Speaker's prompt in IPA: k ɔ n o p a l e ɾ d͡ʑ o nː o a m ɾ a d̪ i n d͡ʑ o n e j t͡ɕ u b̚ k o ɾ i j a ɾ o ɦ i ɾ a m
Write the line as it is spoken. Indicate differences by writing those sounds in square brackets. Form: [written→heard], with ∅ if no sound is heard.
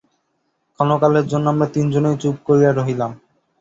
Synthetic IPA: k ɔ n o [p→k] a l e ɾ d͡ʑ o nː o a m ɾ a [d̪→t̪] i n d͡ʑ o n e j t͡ɕ u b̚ k o ɾ i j a ɾ o ɦ i [ɾ→l] a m